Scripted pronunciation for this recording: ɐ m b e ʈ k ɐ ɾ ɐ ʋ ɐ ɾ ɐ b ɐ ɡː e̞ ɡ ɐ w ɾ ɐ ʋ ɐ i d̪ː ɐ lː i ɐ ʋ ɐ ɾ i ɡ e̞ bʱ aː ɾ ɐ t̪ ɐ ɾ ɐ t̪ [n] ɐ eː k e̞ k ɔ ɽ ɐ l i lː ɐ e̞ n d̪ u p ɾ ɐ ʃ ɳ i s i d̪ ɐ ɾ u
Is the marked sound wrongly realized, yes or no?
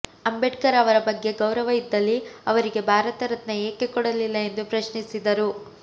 no